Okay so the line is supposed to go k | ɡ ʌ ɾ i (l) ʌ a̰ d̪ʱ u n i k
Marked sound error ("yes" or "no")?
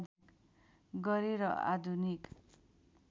yes